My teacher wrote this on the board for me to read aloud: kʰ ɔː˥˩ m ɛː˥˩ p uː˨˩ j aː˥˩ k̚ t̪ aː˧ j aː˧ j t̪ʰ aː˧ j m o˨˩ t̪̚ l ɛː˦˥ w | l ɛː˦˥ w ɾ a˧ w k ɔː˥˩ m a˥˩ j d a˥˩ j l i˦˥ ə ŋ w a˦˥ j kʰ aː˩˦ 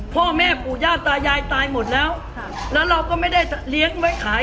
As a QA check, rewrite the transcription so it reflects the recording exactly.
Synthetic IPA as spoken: pʰ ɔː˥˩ m ɛː˥˩ p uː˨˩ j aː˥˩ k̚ t̪ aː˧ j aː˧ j t̪ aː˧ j m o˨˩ t̪̚ l ɛː˦˥ w | l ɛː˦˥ w ɾ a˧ w k ɔː˥˩ m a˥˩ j d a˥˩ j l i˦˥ ə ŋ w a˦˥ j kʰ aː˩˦